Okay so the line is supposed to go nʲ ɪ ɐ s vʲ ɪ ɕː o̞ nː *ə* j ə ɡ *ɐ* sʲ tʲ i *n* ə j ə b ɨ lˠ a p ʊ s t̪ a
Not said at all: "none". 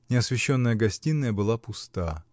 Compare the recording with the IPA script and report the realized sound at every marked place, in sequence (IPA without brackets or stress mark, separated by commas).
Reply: ə, ɐ, nː